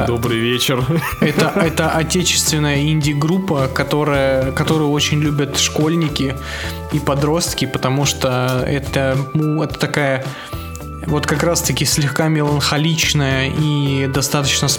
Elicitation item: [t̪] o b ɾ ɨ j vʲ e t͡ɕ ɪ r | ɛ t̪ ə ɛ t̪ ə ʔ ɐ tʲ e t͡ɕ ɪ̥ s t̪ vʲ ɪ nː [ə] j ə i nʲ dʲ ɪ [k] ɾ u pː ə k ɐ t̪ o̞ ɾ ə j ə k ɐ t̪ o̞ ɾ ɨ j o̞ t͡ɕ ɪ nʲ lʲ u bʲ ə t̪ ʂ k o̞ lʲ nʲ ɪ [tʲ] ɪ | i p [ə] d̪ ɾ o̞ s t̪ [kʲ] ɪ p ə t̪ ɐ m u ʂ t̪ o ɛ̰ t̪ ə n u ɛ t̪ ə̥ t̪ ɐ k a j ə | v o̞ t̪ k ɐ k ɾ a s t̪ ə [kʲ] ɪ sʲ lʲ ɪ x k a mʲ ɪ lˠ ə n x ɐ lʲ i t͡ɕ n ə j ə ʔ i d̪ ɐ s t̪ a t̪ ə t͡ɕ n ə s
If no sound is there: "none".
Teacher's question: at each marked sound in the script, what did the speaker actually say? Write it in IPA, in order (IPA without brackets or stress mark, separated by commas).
d̪, ə, ɡ, kʲ, ɐ, kʲ, kʲ